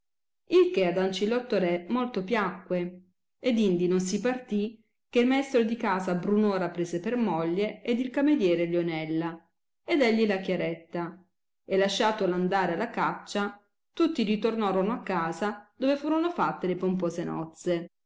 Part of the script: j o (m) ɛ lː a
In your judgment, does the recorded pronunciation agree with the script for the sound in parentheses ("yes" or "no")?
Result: no